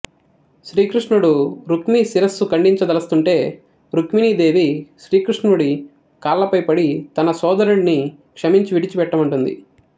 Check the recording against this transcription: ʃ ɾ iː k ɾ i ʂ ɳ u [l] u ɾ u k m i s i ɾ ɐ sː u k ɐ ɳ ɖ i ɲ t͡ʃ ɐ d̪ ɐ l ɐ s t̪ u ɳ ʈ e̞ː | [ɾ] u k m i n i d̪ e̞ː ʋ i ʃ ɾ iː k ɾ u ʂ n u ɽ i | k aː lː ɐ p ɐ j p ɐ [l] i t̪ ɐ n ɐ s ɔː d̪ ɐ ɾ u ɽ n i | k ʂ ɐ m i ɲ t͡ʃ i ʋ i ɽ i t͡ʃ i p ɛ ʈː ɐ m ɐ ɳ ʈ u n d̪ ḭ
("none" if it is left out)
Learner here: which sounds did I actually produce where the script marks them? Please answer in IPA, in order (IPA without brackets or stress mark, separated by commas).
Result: ɽ, ɾ, ɽ